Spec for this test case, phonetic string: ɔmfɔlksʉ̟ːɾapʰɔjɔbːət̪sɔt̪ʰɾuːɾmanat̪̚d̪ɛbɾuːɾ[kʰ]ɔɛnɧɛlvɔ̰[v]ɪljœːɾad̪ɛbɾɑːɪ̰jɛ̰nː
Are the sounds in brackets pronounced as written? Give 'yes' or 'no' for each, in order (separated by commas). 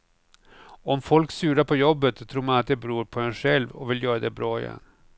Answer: no, yes